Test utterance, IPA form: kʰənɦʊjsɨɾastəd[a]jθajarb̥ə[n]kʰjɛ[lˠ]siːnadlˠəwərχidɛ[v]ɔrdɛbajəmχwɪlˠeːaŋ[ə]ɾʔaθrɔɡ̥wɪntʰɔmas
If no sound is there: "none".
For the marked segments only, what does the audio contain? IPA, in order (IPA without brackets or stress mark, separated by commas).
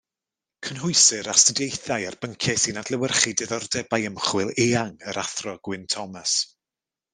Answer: e, ŋ, none, ð, ə